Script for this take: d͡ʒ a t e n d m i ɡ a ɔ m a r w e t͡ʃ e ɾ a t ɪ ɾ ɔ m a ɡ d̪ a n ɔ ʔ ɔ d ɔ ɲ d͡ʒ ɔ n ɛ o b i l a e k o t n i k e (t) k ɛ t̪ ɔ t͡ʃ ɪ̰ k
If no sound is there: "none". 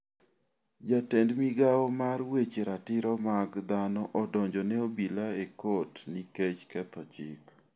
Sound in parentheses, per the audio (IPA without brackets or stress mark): t͡ʃ